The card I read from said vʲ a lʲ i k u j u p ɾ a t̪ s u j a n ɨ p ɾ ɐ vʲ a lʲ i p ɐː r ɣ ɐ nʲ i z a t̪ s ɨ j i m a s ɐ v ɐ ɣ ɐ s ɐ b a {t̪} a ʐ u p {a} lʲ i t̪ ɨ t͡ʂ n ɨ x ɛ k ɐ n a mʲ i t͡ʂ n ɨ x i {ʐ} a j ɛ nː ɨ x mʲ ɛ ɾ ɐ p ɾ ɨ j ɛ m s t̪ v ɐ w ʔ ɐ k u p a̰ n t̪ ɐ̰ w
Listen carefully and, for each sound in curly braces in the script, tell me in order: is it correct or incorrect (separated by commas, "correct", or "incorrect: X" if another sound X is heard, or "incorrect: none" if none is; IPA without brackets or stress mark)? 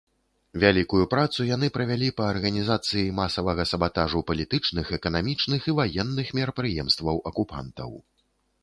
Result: correct, incorrect: ɐ, incorrect: v